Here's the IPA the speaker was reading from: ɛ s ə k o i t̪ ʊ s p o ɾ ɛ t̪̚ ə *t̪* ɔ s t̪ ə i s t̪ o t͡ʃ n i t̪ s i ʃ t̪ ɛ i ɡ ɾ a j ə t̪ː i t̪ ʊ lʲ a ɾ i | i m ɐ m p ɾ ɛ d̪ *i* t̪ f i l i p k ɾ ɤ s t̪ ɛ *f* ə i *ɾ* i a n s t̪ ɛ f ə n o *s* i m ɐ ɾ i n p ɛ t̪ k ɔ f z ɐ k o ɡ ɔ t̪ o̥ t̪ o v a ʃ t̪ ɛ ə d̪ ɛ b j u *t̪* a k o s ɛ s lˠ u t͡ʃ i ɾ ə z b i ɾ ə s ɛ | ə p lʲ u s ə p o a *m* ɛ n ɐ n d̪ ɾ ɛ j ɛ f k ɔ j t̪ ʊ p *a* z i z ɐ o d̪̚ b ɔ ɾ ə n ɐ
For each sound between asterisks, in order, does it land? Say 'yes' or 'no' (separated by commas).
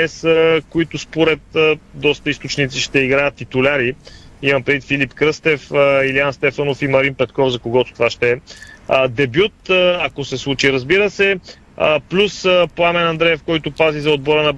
no, yes, yes, no, no, yes, yes, yes